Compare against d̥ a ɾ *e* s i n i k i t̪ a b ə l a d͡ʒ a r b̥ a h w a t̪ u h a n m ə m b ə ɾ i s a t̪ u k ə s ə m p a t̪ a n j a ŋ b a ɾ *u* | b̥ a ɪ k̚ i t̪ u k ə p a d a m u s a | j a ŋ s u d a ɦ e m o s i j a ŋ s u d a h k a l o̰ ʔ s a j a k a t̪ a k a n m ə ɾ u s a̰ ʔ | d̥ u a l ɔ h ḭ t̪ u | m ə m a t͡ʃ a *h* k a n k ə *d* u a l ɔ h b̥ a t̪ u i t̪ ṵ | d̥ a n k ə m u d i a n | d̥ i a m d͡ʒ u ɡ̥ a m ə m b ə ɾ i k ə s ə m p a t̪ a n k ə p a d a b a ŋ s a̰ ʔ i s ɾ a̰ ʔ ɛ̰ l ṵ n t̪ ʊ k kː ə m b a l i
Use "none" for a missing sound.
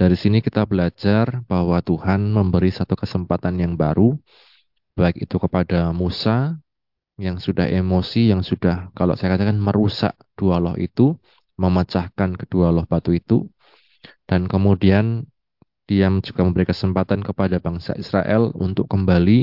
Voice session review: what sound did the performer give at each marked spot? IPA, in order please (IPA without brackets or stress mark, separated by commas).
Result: i, u, h, d